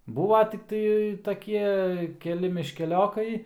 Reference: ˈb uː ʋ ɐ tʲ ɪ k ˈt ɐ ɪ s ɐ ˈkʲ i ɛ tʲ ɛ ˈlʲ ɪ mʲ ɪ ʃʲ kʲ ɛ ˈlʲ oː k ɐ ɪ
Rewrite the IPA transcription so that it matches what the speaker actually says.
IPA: ˈb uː ʋ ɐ tʲ ɪ k ˈt ɐ ɪ t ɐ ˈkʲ i ɛ kʲ ɛ ˈlʲ ɪ mʲ ɪ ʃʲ kʲ ɛ ˈlʲ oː k ɐ ɪ

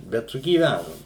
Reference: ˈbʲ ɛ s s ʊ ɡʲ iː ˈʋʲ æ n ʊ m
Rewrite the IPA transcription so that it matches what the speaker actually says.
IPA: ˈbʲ ɛ t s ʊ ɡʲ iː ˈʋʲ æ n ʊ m

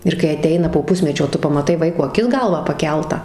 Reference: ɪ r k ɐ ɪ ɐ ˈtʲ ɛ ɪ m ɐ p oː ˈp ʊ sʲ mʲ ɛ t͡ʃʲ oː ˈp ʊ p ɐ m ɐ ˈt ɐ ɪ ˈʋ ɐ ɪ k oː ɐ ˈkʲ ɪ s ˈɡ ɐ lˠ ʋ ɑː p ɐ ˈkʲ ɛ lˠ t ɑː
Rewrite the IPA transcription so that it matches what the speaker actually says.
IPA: ɪ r k ɐ ɪ ɐ ˈtʲ ɛ ɪ n ɐ p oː ˈp ʊ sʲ mʲ ɛ t͡ʃʲ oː ˈt ʊ p ɐ m ɐ ˈt ɐ ɪ ˈʋ ɐ ɪ k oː ɐ ˈkʲ ɪ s ˈɡ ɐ lˠ ʋ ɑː p ɐ ˈkʲ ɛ lˠ t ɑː

